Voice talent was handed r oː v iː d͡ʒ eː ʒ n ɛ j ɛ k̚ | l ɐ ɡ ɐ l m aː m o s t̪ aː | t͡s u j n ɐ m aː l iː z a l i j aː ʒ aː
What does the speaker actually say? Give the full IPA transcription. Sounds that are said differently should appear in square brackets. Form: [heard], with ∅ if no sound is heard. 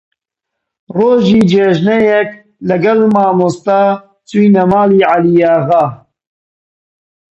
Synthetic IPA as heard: r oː [ʒ] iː d͡ʒ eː ʒ n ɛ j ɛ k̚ | l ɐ ɡ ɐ l m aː m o s t̪ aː | t͡s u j n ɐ m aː l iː [ʕ] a l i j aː [ɣ] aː